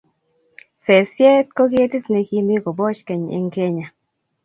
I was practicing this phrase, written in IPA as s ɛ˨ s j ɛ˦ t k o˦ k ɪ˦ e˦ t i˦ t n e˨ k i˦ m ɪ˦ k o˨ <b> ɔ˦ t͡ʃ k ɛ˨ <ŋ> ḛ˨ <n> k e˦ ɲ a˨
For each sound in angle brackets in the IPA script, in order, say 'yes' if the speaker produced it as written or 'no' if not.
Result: yes, no, no

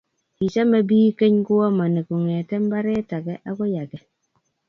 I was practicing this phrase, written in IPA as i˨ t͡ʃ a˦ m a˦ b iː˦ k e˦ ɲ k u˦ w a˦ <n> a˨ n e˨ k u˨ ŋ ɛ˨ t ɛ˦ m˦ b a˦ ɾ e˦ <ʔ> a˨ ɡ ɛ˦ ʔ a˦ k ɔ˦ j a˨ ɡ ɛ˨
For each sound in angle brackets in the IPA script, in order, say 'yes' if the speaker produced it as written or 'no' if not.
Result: no, no

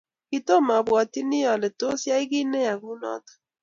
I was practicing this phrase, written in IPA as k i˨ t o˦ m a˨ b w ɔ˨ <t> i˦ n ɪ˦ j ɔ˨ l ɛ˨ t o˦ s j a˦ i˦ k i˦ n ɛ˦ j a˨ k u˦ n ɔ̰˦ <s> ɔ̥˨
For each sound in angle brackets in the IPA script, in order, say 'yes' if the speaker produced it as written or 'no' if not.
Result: yes, no

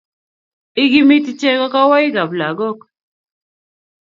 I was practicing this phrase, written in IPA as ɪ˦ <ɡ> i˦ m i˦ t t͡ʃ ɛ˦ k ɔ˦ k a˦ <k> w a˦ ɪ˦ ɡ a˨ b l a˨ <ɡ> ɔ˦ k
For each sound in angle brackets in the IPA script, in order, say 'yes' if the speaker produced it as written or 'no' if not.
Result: yes, no, yes

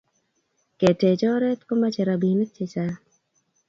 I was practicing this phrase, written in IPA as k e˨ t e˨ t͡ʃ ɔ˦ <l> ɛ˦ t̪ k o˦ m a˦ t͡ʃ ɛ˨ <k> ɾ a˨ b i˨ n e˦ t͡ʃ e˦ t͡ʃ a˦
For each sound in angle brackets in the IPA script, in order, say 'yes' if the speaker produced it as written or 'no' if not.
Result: no, no

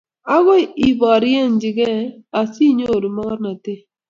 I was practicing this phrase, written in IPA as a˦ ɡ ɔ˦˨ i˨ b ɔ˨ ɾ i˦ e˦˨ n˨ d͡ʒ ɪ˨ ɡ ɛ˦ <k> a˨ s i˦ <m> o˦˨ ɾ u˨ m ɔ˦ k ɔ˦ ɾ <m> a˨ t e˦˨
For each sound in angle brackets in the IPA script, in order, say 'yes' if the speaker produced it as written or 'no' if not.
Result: no, no, no

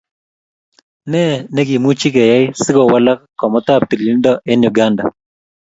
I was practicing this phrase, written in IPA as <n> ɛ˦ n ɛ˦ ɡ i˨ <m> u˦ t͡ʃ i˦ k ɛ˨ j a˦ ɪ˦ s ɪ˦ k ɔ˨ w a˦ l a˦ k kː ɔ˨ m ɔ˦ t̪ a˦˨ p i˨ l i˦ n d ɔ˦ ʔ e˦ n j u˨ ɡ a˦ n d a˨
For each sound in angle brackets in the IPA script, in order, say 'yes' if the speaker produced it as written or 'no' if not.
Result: yes, yes

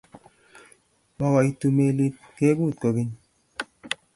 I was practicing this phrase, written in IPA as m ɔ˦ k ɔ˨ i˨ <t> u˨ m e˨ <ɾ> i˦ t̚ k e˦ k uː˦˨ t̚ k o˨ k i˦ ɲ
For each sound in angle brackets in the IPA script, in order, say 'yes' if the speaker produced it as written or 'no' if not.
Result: yes, no

